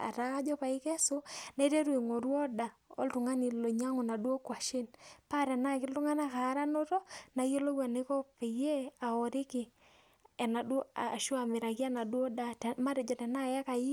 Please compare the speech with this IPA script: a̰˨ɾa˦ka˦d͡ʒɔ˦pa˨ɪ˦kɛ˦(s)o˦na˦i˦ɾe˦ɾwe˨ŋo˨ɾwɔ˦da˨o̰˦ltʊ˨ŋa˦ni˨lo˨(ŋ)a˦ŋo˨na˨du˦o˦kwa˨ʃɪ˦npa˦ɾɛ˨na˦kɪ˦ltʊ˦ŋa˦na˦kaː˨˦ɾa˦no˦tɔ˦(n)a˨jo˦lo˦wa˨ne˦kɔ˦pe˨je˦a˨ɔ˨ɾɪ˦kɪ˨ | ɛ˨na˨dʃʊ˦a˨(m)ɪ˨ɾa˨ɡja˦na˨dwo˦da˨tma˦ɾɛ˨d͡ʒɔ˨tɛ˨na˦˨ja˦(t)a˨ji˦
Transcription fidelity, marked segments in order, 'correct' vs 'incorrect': correct, incorrect, correct, correct, incorrect

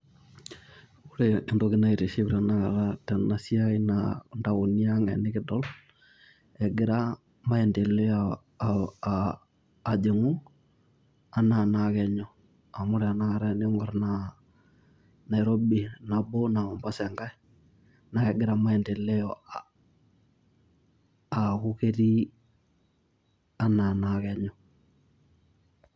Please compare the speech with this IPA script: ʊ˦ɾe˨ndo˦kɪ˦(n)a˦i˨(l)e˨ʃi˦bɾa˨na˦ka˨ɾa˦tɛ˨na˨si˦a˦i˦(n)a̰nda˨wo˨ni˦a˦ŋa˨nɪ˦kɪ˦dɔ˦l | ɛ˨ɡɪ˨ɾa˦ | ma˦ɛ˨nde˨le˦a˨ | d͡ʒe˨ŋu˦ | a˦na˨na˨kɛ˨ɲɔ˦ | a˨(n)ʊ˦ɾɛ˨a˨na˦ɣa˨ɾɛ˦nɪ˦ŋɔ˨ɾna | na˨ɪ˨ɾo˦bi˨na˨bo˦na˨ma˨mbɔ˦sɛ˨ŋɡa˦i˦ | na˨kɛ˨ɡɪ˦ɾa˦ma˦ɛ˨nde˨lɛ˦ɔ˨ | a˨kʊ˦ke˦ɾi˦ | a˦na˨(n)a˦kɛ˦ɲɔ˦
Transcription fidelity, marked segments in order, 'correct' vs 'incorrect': correct, incorrect, correct, incorrect, correct

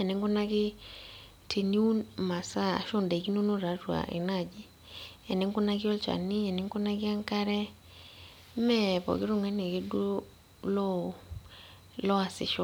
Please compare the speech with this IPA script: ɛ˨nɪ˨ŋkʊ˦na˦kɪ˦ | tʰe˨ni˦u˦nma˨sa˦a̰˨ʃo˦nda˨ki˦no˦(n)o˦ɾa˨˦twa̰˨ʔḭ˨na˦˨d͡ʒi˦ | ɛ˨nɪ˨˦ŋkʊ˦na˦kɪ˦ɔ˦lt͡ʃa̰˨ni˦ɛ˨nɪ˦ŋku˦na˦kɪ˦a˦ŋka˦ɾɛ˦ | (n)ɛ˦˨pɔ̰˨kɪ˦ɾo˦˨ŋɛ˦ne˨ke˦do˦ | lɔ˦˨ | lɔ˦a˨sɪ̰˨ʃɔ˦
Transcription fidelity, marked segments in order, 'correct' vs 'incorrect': correct, incorrect

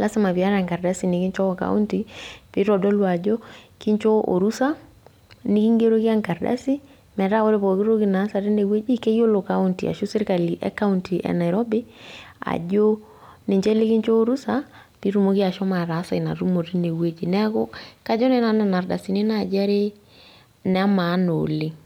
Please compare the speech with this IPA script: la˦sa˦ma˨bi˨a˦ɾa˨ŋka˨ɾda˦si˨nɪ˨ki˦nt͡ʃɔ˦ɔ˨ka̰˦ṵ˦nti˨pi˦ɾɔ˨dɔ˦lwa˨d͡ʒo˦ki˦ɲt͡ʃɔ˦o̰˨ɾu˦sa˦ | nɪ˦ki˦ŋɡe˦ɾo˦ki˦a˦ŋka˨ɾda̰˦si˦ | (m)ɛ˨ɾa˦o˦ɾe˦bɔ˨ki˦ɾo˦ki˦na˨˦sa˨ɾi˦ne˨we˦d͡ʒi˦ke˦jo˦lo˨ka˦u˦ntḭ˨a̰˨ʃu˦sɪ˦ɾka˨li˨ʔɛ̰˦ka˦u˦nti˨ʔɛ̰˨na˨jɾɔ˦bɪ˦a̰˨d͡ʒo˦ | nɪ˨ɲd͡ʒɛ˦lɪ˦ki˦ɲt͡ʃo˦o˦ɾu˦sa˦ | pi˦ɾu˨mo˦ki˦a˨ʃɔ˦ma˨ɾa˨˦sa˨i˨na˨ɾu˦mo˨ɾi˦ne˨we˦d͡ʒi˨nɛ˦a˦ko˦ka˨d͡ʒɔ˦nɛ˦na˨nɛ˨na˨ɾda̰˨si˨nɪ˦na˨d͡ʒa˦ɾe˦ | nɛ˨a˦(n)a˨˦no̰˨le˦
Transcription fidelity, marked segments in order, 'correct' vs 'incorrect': correct, incorrect

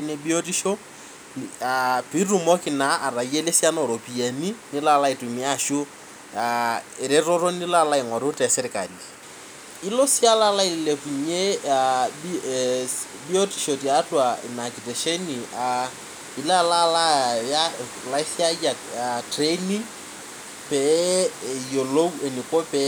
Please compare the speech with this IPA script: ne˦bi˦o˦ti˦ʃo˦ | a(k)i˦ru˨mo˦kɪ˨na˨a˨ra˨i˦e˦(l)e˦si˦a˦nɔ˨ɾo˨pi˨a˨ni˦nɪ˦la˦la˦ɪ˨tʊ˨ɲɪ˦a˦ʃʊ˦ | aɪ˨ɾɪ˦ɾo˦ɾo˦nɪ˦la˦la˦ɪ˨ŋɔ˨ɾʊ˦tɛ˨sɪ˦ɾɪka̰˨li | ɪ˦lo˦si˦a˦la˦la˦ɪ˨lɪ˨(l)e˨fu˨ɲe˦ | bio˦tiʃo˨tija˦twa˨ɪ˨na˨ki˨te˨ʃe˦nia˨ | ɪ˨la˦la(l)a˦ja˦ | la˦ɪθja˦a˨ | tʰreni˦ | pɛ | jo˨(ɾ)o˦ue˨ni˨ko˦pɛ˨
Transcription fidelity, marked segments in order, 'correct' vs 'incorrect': incorrect, correct, correct, correct, incorrect

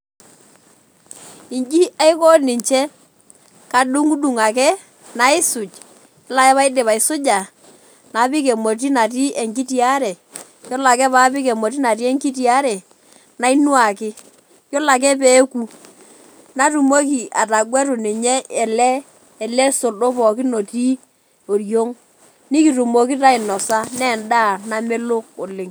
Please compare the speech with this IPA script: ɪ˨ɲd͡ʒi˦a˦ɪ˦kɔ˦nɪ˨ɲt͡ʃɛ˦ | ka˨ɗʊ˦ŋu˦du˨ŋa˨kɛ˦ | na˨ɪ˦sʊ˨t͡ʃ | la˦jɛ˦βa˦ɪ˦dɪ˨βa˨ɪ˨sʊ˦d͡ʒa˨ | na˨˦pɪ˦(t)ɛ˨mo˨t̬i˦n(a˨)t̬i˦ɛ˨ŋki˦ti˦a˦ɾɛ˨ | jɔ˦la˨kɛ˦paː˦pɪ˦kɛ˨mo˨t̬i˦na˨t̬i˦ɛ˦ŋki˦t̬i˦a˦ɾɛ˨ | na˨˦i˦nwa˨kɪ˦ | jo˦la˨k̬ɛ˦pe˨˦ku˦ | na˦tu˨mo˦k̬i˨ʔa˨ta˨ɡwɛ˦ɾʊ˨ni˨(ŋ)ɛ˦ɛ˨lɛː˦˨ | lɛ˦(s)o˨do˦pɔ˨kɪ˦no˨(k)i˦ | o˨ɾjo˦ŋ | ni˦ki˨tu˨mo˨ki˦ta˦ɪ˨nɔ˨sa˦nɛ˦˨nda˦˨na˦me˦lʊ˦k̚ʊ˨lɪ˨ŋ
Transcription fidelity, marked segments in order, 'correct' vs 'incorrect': incorrect, correct, incorrect, correct, incorrect

